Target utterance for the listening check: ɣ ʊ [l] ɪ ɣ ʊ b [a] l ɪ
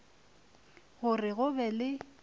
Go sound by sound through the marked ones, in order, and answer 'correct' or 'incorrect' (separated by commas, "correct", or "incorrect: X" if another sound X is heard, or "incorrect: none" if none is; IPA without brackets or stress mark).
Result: incorrect: r, incorrect: ɛ